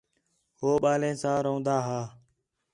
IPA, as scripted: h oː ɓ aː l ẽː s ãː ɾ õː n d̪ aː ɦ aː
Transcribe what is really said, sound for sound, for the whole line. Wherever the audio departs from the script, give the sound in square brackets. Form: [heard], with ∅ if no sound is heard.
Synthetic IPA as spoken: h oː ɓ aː l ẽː s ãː ɾ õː n d̪ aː ɦ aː

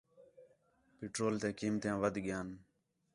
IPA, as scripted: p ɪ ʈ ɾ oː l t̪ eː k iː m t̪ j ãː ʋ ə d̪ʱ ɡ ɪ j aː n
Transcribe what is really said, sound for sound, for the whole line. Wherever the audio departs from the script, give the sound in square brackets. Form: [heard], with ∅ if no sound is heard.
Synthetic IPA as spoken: p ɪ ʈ ɾ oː l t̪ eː k iː m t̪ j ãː ʋ ə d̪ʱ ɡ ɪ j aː n

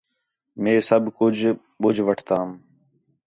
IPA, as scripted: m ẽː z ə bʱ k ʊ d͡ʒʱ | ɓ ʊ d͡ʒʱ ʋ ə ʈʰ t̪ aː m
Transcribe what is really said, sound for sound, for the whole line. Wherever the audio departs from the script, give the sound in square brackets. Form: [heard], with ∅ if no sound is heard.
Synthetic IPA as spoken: m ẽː [s] ə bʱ k ʊ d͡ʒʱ | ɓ ʊ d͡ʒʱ ʋ ə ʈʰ t̪ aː m

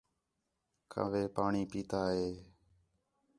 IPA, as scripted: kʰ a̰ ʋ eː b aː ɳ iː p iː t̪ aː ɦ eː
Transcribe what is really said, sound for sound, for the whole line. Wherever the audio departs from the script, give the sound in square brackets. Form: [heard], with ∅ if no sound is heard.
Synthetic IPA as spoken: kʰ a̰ ʋ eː [p] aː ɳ iː p iː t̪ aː ɦ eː

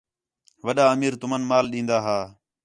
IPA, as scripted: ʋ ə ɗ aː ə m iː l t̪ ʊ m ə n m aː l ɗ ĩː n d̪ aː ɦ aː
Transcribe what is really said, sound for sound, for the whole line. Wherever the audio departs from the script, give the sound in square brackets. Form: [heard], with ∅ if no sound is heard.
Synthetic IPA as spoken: ʋ ə ɗ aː ə m iː [ɾ] t̪ ʊ m ə n m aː l ɗ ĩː n d̪ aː ɦ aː

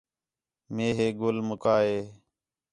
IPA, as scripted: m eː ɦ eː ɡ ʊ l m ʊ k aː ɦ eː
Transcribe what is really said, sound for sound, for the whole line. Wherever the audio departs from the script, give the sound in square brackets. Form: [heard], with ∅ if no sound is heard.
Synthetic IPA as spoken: m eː ɦ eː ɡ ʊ l m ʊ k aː ɦ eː

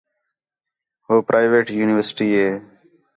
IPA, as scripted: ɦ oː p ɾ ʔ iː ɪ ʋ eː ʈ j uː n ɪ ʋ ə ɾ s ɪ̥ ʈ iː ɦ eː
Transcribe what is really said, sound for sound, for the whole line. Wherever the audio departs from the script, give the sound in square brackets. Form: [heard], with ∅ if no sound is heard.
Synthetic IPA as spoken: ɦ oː p ɾ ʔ [aː] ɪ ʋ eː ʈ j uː n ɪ ʋ ə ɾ s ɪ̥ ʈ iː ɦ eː

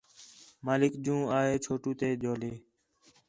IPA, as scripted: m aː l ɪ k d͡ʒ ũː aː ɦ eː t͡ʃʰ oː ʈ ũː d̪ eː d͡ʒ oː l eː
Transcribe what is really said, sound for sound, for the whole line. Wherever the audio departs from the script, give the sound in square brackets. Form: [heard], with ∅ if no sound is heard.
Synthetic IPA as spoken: m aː l ɪ k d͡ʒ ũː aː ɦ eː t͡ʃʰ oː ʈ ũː [t̪] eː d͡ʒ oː l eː

